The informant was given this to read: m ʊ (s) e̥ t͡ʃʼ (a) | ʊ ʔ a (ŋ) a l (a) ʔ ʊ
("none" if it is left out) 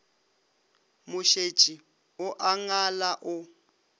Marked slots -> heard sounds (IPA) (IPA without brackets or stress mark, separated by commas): ʃ, i, ŋ, a